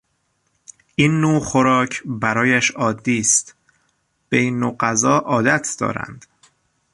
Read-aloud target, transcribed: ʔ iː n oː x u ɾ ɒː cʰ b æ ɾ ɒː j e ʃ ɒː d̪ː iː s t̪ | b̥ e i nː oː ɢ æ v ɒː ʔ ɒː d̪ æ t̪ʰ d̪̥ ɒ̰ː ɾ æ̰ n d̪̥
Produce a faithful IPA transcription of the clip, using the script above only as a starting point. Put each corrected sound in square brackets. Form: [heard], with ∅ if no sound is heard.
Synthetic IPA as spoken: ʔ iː [nː] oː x [o] ɾ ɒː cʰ b æ ɾ ɒː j [æ] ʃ ɒː d̪ː iː s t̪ | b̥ e i nː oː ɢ æ [z] ɒː ʔ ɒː d̪ æ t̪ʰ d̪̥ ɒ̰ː ɾ æ̰ n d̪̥